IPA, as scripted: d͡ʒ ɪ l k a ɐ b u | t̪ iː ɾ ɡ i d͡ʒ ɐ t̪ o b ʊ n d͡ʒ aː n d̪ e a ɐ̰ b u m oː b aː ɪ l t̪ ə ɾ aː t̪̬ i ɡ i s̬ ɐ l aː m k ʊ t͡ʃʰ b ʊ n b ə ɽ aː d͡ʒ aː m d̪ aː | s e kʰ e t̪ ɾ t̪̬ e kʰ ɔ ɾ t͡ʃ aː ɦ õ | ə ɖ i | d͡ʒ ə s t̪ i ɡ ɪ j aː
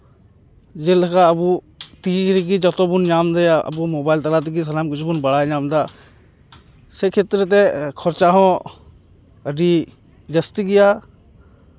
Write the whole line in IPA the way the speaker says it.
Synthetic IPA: d͡ʒ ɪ l k a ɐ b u | t̪ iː ɾ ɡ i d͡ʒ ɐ t̪ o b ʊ n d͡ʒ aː m d̪ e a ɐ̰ b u m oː b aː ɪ l t̪ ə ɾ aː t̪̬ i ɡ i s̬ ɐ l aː m k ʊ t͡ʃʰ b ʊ n b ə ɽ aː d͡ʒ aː m d̪ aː | s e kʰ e t̪ ɾ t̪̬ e kʰ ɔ ɾ t͡ʃ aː ɦ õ | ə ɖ i | d͡ʒ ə s t̪ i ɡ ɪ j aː

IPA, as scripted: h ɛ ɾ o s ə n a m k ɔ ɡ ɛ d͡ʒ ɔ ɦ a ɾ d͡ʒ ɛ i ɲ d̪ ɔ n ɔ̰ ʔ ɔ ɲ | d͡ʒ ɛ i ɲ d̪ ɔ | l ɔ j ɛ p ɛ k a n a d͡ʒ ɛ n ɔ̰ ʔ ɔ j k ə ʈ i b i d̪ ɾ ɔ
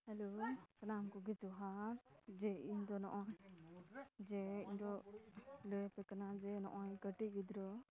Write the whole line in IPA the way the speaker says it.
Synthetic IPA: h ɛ l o s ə n a m k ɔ ɡ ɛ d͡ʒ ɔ ɦ a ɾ d͡ʒ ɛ i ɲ d̪ ɔ n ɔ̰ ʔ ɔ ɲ | d͡ʒ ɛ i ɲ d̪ ɔ | l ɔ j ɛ p ɛ k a n a d͡ʒ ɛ n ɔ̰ ʔ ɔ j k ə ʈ i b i d̪ ɾ ɔ

